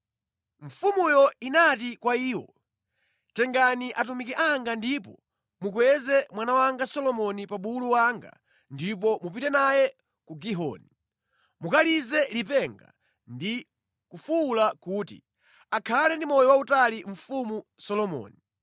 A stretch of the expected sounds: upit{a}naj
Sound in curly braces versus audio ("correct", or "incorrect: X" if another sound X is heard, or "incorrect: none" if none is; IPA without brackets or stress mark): incorrect: ɛ